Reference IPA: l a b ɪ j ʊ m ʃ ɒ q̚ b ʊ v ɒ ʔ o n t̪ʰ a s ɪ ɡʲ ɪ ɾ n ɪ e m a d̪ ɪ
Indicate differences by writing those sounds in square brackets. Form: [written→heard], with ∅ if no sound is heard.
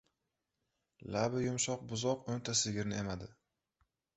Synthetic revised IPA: l a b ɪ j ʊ m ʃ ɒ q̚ b ʊ [v→z] ɒ [ʔ→q] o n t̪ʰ a s ɪ ɡʲ ɪ ɾ n ɪ e m a d̪ ɪ

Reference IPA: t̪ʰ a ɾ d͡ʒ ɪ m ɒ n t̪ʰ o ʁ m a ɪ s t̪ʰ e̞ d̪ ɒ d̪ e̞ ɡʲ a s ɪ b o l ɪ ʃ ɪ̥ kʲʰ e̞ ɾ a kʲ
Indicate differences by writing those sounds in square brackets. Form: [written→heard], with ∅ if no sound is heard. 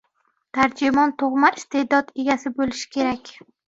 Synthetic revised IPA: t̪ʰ a ɾ d͡ʒ ɪ m ɒ n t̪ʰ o ʁ m a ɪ s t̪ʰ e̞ d̪ ɒ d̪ e̞ ɡʲ a s ɪ b o l ɪ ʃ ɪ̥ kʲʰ e̞ ɾ a kʲ

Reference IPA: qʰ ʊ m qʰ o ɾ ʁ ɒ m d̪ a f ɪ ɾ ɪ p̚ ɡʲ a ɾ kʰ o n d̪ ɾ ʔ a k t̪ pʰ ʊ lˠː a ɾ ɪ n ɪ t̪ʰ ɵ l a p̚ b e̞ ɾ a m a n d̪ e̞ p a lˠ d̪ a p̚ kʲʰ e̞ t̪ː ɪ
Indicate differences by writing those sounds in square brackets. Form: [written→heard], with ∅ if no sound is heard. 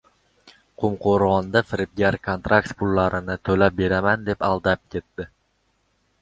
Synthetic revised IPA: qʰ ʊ m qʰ o ɾ ʁ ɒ [m→n] d̪ a f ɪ ɾ ɪ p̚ ɡʲ a ɾ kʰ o n [d̪→t̪] ɾ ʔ a k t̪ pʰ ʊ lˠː a ɾ ɪ n ɪ t̪ʰ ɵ l a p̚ b e̞ ɾ a m a n d̪ e̞ p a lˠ d̪ a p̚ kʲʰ e̞ t̪ː ɪ

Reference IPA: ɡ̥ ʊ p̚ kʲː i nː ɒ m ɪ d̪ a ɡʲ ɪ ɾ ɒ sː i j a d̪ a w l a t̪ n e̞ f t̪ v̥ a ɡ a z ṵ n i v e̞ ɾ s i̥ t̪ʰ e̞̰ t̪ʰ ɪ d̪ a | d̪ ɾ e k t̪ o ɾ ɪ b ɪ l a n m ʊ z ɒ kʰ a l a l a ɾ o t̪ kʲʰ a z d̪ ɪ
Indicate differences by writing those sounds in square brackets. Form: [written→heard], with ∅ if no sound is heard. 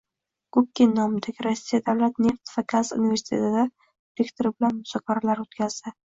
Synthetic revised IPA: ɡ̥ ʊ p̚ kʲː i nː ɒ m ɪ d̪ a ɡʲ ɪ ɾ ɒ sː i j a d̪ a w l a t̪ n e̞ f t̪ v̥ a ɡ a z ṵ n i v e̞ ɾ s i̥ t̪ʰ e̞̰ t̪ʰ ɪ d̪ a | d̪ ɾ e k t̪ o ɾ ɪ b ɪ l a n m ʊ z ɒ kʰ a [l→ɾ] a l a ɾ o t̪ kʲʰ a z d̪ ɪ

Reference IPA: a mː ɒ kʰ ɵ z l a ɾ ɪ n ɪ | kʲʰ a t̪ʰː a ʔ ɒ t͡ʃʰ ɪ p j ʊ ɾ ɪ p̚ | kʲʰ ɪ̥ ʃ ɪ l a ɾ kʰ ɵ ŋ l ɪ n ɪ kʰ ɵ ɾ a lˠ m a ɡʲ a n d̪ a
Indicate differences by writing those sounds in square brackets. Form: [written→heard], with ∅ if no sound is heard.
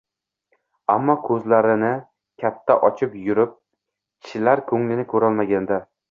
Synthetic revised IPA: a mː ɒ kʰ ɵ z l a ɾ ɪ n ɪ | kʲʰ a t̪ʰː a ʔ ɒ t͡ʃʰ ɪ p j ʊ ɾ ɪ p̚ | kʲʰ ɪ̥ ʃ ɪ l a ɾ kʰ ɵ ŋ l ɪ n ɪ kʰ ɵ ɾ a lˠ m a ɡʲ a n d̪ a

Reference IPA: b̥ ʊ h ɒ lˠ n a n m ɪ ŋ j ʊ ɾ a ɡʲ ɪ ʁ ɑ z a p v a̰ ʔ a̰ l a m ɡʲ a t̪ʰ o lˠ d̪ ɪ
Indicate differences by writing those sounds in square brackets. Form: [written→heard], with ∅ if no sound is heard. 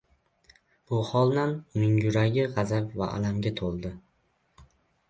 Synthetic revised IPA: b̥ ʊ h ɒ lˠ n a n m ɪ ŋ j ʊ ɾ a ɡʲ ɪ ʁ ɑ z a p v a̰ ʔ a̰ l a m ɡʲ a t̪ʰ o lˠ d̪ ɪ

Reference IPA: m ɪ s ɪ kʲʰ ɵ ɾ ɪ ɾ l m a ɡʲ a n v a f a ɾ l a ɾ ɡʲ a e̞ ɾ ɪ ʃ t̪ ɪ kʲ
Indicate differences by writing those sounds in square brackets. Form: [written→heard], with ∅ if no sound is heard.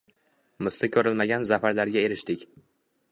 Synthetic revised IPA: m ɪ s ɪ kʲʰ ɵ ɾ ɪ [ɾ→∅] l m a ɡʲ a n [v→z] a f a ɾ l a ɾ ɡʲ a e̞ ɾ ɪ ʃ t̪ ɪ kʲ

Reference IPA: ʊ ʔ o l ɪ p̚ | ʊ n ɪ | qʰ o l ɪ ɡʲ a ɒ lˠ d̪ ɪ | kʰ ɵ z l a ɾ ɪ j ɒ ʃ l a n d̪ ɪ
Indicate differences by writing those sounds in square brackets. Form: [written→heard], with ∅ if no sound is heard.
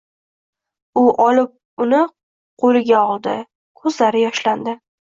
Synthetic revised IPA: ʊ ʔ [o→ɒ] l ɪ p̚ | ʊ n ɪ | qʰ o l ɪ ɡʲ a ɒ lˠ d̪ ɪ | kʰ ɵ z l a ɾ ɪ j ɒ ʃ l a n d̪ ɪ

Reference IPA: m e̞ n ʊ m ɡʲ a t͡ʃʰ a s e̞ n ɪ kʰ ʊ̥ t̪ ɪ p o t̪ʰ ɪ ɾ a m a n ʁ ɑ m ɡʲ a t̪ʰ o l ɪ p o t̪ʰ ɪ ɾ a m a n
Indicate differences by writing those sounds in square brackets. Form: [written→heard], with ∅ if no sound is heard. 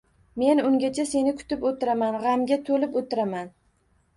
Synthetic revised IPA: m e̞ n ʊ [m→ŋ] ɡʲ a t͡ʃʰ a s e̞ n ɪ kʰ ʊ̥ t̪ ɪ p o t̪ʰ ɪ ɾ a m a n ʁ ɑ m ɡʲ a t̪ʰ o l ɪ p o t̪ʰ ɪ ɾ a m a n

